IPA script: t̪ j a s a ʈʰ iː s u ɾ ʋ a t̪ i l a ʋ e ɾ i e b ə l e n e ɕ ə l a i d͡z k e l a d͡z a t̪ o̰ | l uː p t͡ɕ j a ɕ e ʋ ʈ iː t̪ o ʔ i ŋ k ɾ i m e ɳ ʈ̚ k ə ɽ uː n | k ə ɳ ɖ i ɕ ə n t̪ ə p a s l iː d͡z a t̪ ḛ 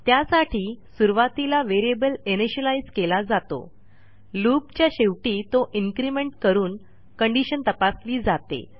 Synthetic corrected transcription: t̪ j a s a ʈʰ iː s u ɾ ʋ a t̪ i l a ʋ e ɾ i e b ə l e n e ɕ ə l a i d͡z k e l a d͡z a t̪ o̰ | l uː p t͡ɕ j a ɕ e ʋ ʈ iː t̪ o ʔ i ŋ k ɾ i m e ɳ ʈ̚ k ə ɾ uː n | k ə ɳ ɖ i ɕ ə n t̪ ə p a s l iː d͡z a t̪ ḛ